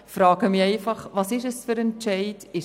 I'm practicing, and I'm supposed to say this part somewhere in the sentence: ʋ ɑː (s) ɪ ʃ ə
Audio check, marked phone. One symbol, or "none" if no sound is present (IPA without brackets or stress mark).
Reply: s